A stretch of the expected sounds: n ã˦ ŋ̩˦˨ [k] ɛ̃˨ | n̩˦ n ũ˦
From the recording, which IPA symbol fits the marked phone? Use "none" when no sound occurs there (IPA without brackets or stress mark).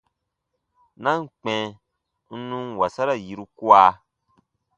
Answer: k͡p